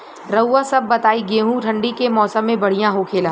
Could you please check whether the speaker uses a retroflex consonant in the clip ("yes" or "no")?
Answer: yes